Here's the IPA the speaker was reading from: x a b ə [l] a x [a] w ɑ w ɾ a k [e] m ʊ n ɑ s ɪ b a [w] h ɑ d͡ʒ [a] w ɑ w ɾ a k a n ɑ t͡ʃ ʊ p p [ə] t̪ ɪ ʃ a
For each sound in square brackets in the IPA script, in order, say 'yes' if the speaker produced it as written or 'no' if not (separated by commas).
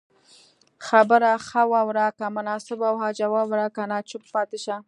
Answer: no, yes, no, yes, yes, no